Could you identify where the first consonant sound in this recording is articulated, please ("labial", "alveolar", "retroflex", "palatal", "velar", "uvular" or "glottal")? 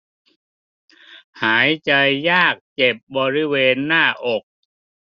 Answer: glottal